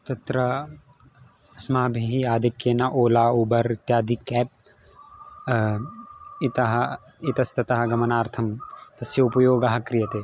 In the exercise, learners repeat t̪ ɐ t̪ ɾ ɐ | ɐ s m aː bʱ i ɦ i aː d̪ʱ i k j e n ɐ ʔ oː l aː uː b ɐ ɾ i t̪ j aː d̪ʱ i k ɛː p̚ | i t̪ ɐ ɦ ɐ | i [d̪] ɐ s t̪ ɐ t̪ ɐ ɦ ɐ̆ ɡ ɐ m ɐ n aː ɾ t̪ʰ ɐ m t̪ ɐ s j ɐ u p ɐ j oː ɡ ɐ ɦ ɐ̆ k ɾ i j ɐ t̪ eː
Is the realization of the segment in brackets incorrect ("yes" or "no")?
yes